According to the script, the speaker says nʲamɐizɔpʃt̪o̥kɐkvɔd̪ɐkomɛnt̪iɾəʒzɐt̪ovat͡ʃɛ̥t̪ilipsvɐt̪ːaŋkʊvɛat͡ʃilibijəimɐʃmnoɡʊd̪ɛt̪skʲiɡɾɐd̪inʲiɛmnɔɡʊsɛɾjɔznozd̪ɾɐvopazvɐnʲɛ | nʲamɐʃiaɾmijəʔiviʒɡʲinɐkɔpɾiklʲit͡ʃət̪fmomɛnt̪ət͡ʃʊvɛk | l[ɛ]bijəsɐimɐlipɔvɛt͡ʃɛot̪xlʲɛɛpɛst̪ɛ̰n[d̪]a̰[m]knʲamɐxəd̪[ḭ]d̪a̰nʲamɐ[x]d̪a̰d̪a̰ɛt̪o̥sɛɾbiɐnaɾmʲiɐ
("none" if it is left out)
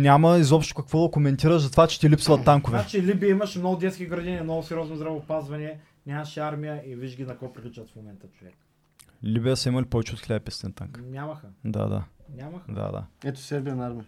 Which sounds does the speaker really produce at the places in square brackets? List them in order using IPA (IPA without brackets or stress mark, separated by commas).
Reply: i, t̪, ŋ, a̰, x